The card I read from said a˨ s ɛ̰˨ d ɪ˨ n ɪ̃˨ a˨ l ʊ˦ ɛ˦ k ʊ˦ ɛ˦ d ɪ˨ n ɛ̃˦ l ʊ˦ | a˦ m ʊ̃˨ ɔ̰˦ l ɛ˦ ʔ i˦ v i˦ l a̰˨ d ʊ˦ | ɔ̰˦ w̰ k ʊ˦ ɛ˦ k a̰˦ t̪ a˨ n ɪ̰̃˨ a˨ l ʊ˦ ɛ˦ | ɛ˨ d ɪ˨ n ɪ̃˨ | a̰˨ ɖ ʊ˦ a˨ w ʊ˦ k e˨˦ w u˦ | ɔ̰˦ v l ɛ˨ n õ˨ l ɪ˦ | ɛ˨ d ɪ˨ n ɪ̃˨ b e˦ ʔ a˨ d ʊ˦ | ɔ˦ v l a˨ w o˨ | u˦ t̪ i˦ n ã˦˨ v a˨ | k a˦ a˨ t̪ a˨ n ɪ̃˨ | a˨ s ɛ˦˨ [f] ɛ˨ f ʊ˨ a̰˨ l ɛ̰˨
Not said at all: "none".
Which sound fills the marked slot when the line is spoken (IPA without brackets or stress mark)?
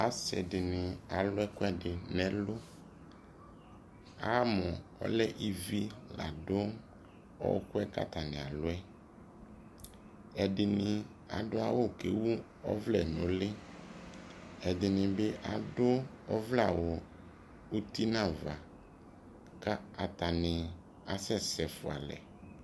s